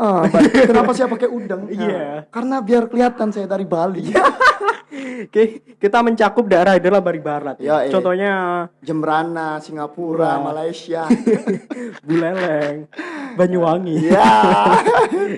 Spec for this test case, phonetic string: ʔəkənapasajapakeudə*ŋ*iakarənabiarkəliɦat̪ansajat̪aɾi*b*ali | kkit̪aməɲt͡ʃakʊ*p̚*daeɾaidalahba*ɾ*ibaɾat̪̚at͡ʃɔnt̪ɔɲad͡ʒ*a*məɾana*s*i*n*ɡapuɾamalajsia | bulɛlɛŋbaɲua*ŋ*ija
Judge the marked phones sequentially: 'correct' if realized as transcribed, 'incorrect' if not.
correct, correct, correct, correct, incorrect, correct, incorrect, correct

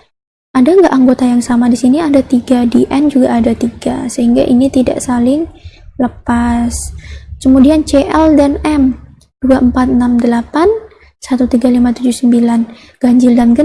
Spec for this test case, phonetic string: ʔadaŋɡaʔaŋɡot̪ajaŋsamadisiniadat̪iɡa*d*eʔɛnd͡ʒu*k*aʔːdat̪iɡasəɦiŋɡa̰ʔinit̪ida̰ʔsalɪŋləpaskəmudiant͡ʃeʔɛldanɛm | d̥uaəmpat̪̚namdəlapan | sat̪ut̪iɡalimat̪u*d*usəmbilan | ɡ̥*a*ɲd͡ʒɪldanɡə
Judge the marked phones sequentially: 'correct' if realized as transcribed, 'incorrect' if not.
correct, incorrect, incorrect, correct

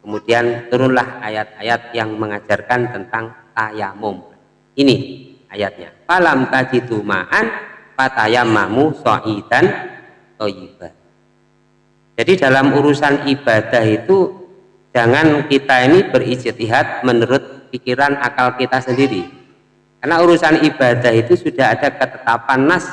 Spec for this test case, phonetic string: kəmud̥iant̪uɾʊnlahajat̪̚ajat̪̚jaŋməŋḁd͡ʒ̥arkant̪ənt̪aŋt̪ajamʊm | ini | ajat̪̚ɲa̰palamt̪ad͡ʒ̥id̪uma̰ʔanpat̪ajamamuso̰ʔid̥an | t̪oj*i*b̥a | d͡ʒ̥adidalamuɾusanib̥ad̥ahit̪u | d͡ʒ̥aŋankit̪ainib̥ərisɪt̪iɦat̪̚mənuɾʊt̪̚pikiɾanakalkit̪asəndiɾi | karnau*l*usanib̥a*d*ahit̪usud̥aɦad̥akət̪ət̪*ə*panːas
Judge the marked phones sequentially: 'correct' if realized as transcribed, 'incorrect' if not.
correct, incorrect, correct, incorrect

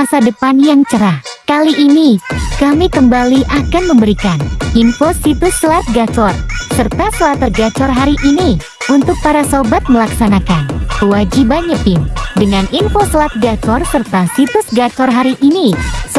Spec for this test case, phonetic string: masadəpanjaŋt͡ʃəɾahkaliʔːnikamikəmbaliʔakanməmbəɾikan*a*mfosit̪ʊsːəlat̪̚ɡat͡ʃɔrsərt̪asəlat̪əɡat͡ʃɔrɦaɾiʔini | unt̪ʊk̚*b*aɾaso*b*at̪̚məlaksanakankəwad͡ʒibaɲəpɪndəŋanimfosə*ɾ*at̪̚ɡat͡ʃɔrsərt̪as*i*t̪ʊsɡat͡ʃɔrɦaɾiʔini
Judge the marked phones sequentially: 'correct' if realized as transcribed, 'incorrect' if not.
incorrect, incorrect, correct, incorrect, correct

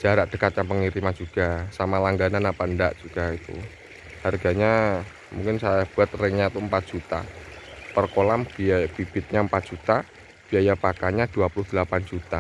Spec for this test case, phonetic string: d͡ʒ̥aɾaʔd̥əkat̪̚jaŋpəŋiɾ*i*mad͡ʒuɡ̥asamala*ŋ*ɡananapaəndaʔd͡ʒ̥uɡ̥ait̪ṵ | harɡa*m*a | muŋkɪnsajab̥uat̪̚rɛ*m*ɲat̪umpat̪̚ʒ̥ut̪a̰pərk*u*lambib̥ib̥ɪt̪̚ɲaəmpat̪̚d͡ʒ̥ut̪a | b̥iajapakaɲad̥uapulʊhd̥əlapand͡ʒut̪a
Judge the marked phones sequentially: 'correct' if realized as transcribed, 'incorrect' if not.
correct, correct, incorrect, incorrect, incorrect

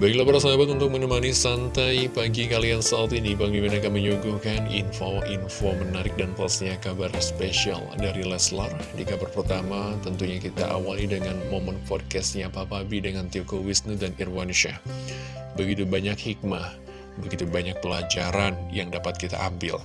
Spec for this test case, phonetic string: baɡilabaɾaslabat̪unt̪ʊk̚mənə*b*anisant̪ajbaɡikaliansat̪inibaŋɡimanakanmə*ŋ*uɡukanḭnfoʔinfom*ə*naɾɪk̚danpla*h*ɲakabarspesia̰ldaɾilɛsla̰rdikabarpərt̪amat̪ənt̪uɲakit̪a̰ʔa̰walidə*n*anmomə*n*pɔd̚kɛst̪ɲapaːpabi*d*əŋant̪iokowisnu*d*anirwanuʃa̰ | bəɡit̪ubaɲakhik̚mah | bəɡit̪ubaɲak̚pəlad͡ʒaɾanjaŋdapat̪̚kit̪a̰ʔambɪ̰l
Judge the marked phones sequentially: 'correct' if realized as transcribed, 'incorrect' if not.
incorrect, incorrect, correct, incorrect, incorrect, correct, correct, correct

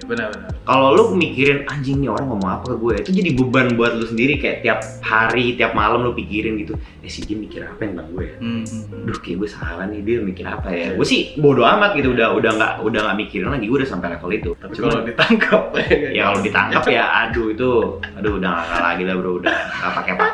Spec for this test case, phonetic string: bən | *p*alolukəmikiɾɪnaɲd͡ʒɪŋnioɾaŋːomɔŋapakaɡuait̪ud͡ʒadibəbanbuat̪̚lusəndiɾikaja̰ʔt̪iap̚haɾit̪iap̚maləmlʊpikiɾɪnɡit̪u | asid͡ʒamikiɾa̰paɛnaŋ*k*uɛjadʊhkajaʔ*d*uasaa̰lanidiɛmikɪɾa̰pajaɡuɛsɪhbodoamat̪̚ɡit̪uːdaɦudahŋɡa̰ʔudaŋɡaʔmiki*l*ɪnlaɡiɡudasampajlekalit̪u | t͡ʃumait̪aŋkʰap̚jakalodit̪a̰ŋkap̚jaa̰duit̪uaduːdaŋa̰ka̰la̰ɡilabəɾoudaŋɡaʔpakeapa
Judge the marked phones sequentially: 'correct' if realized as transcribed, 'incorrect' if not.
incorrect, incorrect, incorrect, incorrect

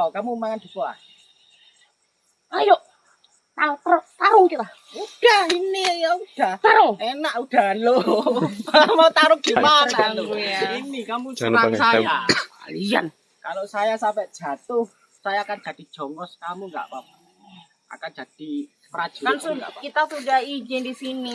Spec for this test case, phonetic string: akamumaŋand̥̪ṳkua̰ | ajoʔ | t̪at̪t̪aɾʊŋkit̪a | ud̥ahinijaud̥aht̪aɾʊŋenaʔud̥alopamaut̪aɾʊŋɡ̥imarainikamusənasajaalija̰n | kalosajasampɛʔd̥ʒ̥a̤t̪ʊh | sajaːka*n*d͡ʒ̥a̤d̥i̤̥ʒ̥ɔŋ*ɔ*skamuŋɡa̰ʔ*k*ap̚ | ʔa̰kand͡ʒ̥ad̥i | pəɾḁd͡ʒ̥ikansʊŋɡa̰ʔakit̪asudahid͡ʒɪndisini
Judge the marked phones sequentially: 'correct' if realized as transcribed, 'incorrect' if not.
correct, correct, incorrect

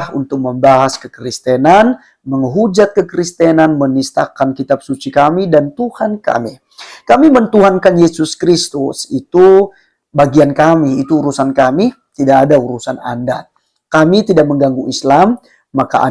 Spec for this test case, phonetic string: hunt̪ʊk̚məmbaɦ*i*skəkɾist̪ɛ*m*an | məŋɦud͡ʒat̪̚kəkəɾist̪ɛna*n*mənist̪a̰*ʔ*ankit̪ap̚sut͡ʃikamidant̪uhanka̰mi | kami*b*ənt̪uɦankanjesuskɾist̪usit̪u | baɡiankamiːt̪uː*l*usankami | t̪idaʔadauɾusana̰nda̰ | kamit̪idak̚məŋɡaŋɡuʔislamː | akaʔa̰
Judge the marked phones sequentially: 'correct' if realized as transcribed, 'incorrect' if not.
incorrect, incorrect, correct, incorrect, incorrect, incorrect

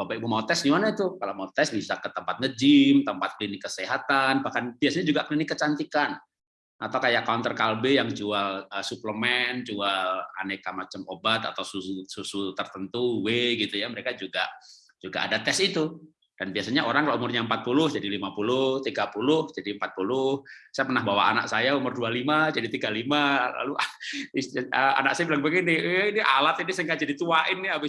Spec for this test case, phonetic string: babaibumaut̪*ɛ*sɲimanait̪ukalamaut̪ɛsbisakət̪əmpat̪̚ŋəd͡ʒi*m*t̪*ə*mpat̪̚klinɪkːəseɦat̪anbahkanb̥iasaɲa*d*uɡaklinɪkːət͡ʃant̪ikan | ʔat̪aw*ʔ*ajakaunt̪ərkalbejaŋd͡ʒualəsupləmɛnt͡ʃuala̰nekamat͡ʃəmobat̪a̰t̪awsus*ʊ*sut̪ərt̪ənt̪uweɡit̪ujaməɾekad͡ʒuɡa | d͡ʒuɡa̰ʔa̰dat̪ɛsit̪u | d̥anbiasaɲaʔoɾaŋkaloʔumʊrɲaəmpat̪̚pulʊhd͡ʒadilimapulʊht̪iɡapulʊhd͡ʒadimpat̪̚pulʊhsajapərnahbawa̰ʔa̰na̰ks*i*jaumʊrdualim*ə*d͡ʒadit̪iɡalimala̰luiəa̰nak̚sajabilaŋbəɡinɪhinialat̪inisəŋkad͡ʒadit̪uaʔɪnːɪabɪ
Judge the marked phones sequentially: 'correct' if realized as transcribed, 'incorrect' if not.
correct, correct, correct, incorrect, incorrect, incorrect, incorrect, incorrect

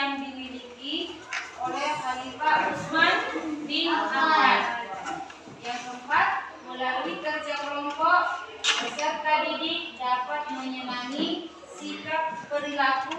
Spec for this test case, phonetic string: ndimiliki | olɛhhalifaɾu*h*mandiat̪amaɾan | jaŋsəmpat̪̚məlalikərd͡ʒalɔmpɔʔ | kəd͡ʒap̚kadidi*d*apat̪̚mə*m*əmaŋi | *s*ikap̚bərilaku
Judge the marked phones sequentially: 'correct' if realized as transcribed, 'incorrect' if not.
incorrect, correct, incorrect, correct

